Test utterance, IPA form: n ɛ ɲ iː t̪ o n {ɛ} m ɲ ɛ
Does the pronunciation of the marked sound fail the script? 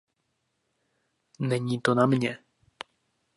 yes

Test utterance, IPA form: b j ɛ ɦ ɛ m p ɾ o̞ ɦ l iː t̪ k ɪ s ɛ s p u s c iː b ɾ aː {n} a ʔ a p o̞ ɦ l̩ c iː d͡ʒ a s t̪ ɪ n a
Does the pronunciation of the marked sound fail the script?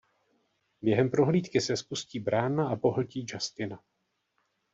no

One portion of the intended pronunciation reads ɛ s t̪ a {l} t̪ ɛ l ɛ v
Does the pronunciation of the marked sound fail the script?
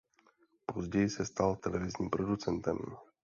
no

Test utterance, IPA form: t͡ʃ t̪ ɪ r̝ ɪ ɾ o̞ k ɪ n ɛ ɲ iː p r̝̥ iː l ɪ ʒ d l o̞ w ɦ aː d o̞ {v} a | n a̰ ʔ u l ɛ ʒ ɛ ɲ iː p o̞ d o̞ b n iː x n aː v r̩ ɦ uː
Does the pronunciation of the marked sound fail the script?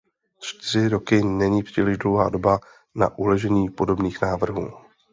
yes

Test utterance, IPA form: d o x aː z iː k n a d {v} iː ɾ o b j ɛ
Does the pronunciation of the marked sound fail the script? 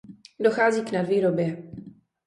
no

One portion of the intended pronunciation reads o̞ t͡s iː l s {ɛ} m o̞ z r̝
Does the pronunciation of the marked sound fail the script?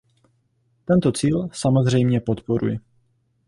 yes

